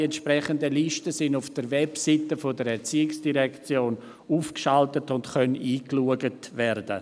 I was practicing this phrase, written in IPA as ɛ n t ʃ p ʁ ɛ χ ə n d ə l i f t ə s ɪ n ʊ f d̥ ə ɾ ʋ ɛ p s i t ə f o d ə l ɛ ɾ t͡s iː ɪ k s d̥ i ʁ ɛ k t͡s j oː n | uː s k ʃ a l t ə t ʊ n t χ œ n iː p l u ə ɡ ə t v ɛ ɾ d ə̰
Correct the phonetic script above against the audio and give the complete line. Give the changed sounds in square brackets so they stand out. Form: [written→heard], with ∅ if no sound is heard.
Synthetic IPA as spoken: ɛ n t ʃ p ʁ ɛ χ ə n d ə l i [f→ʃ] t ə s ɪ n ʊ f d̥ ə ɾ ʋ ɛ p s i t ə f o d ə [l→ɾ] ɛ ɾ t͡s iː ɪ k s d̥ i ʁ ɛ k t͡s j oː n | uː [s→f] k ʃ a l t ə t ʊ n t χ œ n iː [p→k] l u ə ɡ ə t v ɛ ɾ d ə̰